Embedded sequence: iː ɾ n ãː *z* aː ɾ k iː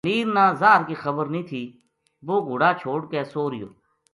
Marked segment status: correct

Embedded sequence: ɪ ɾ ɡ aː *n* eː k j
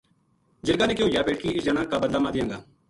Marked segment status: correct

